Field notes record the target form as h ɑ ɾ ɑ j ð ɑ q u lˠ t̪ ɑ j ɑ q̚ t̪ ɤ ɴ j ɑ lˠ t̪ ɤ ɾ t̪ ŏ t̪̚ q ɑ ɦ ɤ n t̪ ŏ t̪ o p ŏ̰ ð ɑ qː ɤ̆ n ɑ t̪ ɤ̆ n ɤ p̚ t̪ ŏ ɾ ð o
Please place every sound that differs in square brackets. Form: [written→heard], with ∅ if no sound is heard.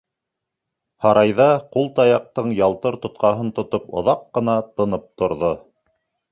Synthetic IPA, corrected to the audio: h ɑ ɾ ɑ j ð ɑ q u lˠ t̪ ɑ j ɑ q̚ t̪ ɤ ɴ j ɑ lˠ t̪ ɤ ɾ t̪ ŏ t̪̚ q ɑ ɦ ɤ n t̪ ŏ t̪ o p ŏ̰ ð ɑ qː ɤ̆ n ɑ t̪ ɤ̆ n ɤ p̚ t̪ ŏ ɾ ð o